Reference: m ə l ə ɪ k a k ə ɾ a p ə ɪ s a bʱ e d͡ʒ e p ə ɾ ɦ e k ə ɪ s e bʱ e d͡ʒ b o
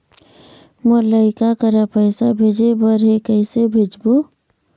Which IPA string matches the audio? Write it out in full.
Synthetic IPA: m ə l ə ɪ k a k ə ɾ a p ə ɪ s a bʱ e d͡ʒ e b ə ɾ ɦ e k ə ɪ s e bʱ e d͡ʒ b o

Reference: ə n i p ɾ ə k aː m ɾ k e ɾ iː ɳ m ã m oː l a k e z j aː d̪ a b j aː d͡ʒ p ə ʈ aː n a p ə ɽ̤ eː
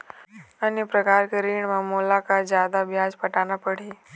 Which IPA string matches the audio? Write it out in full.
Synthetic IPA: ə n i p ɾ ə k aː ɾ k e ɾ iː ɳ m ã m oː l a k a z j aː d̪ a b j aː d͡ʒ p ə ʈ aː n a p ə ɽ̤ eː

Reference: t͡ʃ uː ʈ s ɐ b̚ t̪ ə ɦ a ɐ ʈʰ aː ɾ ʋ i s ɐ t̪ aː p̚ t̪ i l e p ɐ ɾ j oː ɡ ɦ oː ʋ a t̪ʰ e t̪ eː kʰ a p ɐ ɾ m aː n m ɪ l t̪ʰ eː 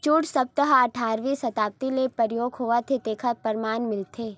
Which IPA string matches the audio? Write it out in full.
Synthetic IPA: t͡ʃ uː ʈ s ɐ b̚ t̪ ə ɦ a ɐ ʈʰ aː ɾ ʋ i s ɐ t̪ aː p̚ t̪ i l e p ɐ ɾ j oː ɡ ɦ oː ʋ a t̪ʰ e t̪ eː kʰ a p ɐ ɾ m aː n m ɪ l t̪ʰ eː

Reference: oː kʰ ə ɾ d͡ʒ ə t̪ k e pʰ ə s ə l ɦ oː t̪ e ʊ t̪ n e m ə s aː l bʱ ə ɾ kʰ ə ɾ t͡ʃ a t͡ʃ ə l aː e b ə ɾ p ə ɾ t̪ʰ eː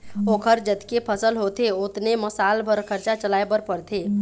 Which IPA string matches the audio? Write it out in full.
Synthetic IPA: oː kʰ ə ɾ d͡ʒ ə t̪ k e pʰ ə s ə l ɦ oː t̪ e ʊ t̪ n e m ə s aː l bʱ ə ɾ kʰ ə ɾ t͡ʃ a t͡ʃ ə l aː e b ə ɾ p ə ɾ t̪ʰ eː

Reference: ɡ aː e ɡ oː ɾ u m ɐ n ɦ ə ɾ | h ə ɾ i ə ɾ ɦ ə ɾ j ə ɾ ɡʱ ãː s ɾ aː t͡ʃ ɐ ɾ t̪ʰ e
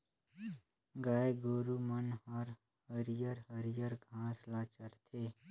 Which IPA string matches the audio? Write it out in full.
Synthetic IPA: ɡ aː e ɡ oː ɾ u m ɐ n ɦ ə ɾ | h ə ɾ j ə ɾ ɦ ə ɾ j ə ɾ ɡʱ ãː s l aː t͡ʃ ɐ ɾ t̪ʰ e

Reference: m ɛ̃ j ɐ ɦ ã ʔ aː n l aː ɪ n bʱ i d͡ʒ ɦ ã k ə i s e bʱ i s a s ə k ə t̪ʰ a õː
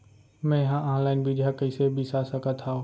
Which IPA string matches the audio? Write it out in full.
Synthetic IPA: m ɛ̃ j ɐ ɦ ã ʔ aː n l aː ɪ n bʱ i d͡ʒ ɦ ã k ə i s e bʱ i s a s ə k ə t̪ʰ a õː

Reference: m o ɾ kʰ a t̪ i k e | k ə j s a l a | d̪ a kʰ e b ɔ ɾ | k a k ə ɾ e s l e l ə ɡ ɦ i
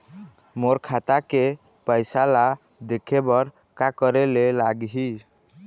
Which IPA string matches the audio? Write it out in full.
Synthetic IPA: m o ɾ kʰ a t̪ a k e | p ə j s a l a | d̪ e kʰ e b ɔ ɾ | k a k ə ɾ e l e l a ɡ ɦ i

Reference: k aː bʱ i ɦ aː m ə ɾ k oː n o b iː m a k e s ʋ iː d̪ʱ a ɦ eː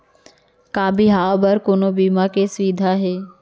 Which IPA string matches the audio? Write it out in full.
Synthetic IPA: k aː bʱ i ɦ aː b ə ɾ k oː n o b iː m a k e s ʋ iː d̪ʱ a ɦ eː

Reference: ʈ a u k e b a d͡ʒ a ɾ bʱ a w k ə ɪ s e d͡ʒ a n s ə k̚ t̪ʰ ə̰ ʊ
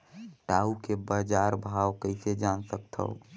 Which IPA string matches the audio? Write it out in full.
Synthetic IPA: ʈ a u k e b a d͡ʒ a ɾ bʱ a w k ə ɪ s e d͡ʒ a n s ə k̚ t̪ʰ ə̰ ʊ

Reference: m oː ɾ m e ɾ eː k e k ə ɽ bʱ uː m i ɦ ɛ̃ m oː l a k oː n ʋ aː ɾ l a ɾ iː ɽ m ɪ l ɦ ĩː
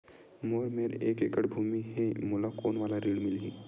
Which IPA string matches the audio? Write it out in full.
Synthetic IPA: m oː ɾ m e ɾ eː k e k ə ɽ bʱ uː m i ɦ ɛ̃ m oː l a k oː n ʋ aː l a ɾ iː ɽ m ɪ l ɦ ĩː

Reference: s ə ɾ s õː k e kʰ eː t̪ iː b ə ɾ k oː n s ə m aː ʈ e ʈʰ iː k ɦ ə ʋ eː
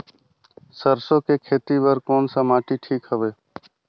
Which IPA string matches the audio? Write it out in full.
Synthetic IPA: s ə ɾ s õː k e kʰ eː t̪ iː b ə ɾ k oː n s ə m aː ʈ i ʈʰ iː k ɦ ə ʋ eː

